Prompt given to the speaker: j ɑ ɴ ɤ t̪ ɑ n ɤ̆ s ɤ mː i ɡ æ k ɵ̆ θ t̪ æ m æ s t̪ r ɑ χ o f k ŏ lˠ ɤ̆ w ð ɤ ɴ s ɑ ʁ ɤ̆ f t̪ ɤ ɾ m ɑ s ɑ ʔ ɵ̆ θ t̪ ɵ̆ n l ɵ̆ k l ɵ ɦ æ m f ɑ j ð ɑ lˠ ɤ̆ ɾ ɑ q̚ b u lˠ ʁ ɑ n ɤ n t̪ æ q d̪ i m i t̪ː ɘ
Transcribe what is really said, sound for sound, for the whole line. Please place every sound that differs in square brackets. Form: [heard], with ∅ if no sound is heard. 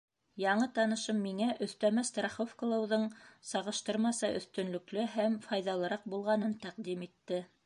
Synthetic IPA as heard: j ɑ ɴ ɤ t̪ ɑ n ɤ̆ [ʃ] ɤ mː i [ŋ] æ [ʔ] ɵ̆ θ t̪ æ m æ s t̪ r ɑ χ o f k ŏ lˠ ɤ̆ w ð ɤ ɴ s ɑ ʁ ɤ̆ [ʃ] t̪ ɤ ɾ m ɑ s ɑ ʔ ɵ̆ θ t̪ ɵ̆ n l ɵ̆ k l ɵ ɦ æ m f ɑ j ð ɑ lˠ ɤ̆ ɾ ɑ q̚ b u lˠ ʁ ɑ n ɤ n t̪ æ q d̪ i m i t̪ː ɘ